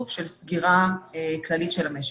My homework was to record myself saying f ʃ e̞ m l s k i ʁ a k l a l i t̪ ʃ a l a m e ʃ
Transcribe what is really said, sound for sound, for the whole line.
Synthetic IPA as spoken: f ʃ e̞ l s ɡ i ʁ a k l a l i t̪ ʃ e l a m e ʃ